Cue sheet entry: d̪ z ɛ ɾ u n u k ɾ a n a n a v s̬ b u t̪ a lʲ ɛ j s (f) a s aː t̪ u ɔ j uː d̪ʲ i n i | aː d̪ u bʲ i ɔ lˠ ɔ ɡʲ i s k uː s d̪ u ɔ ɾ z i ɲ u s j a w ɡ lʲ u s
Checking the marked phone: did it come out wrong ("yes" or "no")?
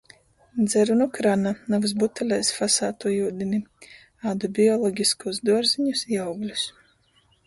no